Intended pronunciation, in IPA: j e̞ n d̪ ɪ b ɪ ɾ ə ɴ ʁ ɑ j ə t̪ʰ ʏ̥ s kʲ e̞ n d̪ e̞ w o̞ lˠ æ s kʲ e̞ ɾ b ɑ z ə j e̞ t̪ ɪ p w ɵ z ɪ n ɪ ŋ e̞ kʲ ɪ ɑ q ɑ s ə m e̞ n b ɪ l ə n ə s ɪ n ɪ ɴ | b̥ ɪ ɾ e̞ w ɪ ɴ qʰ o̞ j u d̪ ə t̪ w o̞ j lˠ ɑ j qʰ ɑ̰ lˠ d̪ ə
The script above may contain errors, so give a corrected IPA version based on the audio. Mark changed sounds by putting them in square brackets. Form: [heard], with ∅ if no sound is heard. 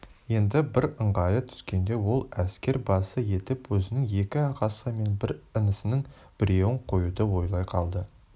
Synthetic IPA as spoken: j e̞ n d̪ ɪ b ɪ ɾ ə ɴ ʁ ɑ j ə t̪ʰ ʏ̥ s kʲ e̞ n d̪ e̞ w o̞ lˠ æ s kʲ e̞ ɾ b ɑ [s] ə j e̞ t̪ ɪ p w ɵ z ɪ n ɪ ŋ e̞ kʲ ɪ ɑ q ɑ s ə m e̞ n b ɪ [ɾ] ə n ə s ɪ n ɪ [ŋ] | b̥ ɪ ɾ e̞ w ɪ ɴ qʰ o̞ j u d̪ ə [∅] w o̞ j lˠ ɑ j qʰ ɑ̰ lˠ d̪ ə